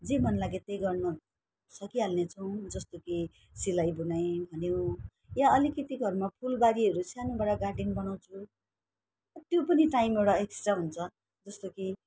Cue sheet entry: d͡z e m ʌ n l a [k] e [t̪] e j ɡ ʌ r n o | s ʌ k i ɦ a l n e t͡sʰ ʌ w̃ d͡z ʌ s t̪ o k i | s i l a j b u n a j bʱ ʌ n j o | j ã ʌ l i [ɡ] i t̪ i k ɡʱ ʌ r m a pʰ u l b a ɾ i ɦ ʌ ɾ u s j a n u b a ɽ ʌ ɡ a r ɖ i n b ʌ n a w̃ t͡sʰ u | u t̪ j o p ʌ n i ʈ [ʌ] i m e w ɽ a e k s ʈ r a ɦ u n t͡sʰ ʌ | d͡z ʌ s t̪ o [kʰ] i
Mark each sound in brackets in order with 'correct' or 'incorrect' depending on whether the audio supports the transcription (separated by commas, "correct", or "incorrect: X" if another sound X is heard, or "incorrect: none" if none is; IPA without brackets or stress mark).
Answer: incorrect: ɡ, correct, incorrect: k, incorrect: a, incorrect: k